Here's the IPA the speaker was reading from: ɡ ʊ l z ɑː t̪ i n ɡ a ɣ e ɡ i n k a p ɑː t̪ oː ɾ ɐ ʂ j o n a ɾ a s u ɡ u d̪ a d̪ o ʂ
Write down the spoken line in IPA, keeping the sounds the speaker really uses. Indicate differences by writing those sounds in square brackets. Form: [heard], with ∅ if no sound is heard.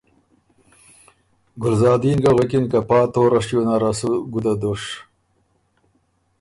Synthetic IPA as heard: ɡ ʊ l z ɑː [d̪] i n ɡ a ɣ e [k] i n k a p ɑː t̪ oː ɾ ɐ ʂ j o n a ɾ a s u ɡ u d̪ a d̪ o ʂ